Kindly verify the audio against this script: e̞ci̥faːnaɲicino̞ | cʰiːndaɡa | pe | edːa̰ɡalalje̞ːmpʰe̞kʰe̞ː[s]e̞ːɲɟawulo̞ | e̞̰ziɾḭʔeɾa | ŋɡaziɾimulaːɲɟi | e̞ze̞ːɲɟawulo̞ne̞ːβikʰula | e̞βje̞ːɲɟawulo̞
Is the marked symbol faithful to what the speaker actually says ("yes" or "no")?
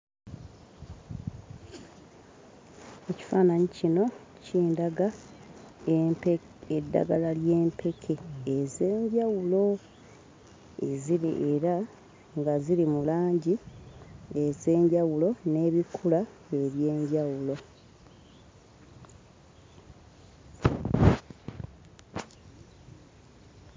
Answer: no